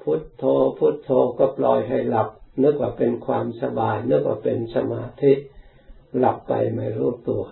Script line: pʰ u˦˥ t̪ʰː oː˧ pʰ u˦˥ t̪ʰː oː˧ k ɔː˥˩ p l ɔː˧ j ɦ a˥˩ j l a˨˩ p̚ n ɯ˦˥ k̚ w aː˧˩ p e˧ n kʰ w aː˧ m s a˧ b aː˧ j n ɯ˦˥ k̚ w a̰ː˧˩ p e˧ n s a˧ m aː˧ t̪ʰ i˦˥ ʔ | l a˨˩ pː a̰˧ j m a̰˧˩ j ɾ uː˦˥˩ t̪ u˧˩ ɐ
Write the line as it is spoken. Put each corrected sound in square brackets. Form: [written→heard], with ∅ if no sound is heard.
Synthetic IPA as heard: pʰ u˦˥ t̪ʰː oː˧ pʰ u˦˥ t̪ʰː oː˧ k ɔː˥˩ p l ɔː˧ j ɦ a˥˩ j l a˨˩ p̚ n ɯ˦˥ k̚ w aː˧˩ p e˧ n kʰ w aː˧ m s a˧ b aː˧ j n ɯ˦˥ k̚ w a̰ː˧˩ p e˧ n s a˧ m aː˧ t̪ʰ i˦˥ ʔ | l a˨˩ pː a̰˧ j m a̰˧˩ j ɾ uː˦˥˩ t̪ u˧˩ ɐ